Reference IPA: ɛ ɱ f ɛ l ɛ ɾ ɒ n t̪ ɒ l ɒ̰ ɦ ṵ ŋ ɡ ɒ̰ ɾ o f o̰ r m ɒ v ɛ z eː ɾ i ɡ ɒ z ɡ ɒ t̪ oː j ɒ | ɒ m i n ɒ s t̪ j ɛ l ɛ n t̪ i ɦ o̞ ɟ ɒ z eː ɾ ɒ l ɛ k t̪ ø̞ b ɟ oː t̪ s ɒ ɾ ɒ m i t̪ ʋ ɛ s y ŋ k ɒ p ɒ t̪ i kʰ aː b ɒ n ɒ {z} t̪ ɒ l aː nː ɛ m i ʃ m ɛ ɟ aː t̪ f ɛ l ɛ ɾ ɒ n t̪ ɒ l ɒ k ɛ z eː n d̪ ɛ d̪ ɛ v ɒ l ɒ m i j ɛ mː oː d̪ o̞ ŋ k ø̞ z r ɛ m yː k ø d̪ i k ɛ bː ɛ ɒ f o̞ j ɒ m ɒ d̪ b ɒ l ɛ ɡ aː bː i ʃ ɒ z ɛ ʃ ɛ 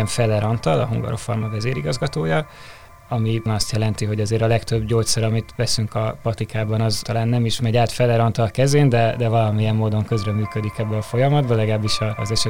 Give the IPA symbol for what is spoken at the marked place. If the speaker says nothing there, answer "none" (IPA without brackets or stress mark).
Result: z